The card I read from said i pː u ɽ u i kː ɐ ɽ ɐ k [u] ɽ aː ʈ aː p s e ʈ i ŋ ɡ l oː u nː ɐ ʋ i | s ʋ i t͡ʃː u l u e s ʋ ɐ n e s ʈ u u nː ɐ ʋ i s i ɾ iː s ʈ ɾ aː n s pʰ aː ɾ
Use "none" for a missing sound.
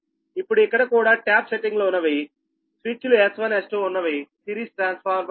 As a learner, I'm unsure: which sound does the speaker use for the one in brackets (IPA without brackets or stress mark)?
uː